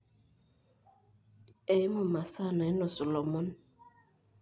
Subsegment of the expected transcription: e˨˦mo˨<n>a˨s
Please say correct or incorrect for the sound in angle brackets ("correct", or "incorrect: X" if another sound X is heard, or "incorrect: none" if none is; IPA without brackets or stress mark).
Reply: incorrect: m